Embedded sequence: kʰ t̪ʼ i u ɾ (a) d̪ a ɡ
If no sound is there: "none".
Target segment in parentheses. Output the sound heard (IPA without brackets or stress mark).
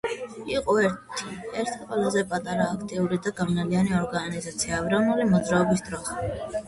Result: i